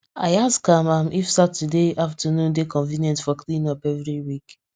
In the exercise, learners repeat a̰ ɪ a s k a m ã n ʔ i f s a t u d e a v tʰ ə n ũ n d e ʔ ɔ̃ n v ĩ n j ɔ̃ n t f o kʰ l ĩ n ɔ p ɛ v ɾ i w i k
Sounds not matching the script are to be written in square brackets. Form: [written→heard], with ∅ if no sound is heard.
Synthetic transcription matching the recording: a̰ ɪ a s k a m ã [n→m] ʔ i f s a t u d e a [v→f] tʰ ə n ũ n d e [ʔ→k] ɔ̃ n v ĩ n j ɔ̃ n t f [o→ɔ] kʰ l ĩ n ɔ p ɛ v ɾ i w i k